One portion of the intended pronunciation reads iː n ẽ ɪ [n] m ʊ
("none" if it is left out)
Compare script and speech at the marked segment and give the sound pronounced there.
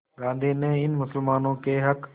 n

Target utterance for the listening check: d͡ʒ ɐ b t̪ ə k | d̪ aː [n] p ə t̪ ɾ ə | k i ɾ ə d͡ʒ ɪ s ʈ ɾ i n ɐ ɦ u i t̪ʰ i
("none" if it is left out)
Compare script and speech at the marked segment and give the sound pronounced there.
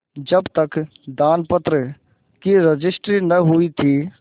n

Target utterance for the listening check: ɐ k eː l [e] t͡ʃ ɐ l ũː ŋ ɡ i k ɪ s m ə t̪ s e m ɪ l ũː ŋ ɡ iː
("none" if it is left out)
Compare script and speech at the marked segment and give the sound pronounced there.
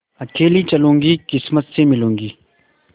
i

